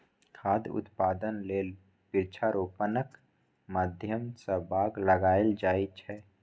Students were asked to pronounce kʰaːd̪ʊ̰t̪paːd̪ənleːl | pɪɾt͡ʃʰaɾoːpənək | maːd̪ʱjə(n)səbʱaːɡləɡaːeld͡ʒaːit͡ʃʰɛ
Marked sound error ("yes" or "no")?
yes